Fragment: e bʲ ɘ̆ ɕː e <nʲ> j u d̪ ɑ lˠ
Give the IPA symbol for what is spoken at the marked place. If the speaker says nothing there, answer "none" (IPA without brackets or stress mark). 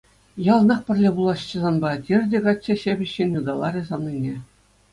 nʲ